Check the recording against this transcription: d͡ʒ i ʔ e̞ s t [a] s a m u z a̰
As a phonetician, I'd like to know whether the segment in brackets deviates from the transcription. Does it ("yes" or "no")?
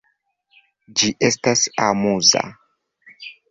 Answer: no